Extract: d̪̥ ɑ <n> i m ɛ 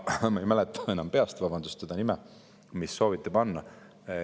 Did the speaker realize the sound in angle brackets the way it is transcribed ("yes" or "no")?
yes